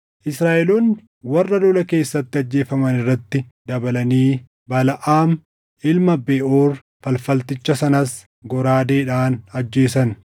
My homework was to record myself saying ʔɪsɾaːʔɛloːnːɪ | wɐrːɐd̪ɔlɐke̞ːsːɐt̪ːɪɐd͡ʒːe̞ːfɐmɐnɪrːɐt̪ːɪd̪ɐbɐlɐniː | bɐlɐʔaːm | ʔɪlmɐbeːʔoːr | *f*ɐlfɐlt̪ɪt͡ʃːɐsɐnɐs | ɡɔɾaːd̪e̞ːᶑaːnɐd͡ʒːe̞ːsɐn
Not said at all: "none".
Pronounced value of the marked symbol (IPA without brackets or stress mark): f